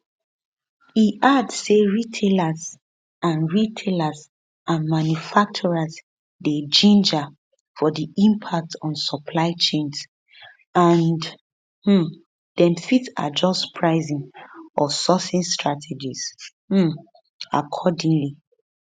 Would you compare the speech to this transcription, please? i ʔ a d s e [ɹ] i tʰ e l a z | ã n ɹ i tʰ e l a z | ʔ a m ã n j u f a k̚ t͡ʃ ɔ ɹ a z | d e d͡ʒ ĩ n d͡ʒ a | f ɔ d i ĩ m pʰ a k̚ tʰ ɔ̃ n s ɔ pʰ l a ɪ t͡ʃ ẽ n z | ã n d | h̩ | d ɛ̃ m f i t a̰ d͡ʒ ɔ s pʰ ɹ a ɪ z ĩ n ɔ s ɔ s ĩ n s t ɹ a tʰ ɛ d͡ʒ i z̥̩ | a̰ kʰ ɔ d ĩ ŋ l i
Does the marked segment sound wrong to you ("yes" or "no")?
no